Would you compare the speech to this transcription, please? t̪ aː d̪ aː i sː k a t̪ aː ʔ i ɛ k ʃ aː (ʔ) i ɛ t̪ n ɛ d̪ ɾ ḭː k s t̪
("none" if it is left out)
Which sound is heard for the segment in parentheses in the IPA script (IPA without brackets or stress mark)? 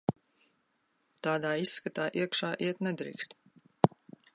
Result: ʔ